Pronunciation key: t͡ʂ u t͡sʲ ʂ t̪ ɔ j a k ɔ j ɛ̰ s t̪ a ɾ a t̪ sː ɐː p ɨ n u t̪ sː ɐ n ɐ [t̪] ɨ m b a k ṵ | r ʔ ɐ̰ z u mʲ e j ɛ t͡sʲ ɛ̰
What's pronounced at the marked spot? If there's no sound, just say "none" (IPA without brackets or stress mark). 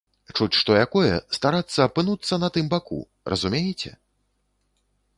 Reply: t̪